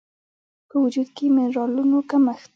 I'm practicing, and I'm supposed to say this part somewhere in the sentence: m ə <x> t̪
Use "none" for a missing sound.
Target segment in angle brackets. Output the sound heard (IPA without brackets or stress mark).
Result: x